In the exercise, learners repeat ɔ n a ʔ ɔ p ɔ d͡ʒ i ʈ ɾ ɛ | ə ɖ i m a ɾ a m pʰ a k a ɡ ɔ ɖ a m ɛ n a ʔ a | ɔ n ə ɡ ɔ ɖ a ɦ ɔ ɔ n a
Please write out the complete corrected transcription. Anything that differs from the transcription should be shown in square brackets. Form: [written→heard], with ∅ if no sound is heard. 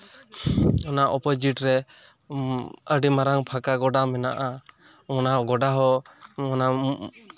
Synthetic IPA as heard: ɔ n a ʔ ɔ p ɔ d͡ʒ i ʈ ɾ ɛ | ə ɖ i m a ɾ a [m→ŋ] pʰ a k a ɡ ɔ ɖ a m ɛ n a ʔ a | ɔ n [ə→a] ɡ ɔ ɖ a ɦ ɔ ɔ n a